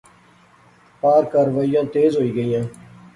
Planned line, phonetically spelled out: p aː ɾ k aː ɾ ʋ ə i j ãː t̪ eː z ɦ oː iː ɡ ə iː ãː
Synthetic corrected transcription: p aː ɾ k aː ɾ ʋ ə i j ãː t̪ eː z ɦ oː iː ɡ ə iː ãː